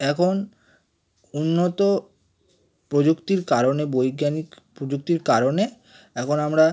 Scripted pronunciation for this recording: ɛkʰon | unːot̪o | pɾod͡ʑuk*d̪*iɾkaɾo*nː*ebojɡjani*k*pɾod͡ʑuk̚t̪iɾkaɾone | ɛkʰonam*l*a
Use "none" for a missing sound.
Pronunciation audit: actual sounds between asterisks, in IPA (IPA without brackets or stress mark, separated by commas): t̪, n, k, ɾ